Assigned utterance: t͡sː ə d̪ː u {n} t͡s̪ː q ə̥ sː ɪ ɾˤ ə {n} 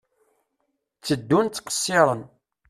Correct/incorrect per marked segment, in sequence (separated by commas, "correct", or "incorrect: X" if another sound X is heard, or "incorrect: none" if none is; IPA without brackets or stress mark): correct, correct